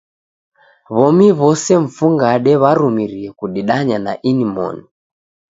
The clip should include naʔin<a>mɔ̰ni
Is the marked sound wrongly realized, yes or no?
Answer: yes